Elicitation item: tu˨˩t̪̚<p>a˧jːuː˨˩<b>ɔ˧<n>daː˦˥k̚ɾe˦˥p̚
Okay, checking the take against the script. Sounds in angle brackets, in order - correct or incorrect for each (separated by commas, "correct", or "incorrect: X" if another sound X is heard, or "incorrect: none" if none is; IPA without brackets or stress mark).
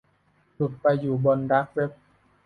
correct, correct, correct